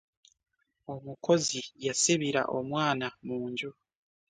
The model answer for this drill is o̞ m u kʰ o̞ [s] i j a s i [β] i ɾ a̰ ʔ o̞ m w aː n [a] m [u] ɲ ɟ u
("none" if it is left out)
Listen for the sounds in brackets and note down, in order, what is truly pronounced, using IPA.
z, β, a, uː

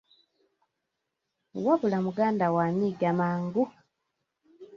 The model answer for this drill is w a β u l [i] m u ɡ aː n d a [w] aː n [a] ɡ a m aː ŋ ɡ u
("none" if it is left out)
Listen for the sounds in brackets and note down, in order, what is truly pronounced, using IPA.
a, w, i

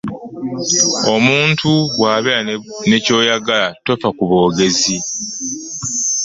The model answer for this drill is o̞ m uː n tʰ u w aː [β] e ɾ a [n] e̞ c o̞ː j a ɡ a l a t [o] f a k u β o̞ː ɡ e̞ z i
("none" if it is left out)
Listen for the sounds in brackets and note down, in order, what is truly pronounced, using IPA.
β, n, o

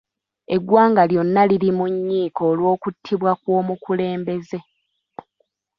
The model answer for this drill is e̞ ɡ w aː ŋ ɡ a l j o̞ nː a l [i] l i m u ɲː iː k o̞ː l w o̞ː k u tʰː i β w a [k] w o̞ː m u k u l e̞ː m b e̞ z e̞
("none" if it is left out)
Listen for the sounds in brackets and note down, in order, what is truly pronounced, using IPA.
i, k

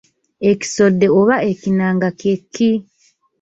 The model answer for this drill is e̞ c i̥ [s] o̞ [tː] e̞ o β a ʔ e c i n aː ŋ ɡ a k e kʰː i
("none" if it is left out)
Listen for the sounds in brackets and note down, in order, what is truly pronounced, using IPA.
s, dː

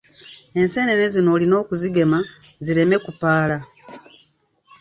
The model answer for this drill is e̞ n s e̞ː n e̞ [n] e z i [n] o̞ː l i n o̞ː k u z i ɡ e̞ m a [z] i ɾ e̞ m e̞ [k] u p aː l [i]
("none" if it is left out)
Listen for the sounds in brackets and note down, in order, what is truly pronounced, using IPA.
n, n, z, k, a

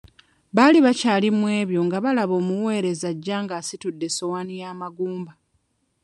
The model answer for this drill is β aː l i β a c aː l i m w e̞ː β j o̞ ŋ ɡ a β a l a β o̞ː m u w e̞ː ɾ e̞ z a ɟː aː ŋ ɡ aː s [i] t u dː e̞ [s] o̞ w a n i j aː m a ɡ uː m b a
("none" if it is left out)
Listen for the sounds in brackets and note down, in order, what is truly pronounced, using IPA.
i, s

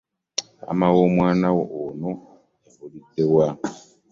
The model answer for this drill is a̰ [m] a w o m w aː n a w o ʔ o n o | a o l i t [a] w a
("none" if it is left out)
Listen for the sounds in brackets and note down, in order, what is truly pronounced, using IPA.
m, e

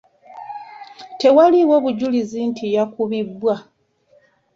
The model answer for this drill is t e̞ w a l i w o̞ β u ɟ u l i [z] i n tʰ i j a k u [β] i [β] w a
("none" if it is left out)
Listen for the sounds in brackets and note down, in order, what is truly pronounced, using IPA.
z, β, b

